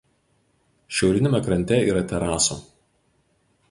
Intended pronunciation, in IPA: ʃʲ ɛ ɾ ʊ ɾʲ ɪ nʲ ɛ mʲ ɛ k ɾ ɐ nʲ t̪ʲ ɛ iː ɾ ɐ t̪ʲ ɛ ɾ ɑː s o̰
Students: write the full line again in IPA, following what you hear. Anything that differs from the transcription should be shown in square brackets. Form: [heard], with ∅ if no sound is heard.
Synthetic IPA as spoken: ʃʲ ɛ [∅] ʊ ɾʲ ɪ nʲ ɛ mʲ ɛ k ɾ ɐ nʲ t̪ʲ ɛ iː ɾ ɐ t̪ʲ ɛ ɾ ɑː s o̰